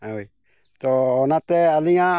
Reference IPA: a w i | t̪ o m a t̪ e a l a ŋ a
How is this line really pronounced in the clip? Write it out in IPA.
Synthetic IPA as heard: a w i | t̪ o n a t̪ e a l i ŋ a